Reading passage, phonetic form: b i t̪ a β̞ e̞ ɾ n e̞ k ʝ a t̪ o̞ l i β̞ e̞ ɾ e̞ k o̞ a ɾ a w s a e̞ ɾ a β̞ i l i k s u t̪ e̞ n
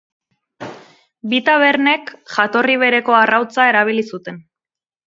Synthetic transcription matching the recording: b i t̪ a β̞ e̞ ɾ n e̞ k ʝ a t̪ o̞ r i β̞ e̞ ɾ e̞ k o̞ a r a w t͡s a e̞ ɾ a β̞ i l i s u t̪ e̞ n